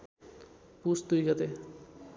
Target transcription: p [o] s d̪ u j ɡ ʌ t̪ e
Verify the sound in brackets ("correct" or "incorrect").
incorrect